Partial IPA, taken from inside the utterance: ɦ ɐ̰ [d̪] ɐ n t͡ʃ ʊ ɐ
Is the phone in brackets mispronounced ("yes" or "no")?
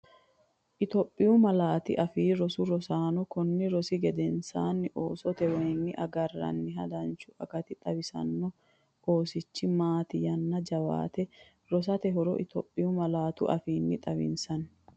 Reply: no